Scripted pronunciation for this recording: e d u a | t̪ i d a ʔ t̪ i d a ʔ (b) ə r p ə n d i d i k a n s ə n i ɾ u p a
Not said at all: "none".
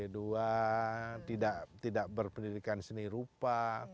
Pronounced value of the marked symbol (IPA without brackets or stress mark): b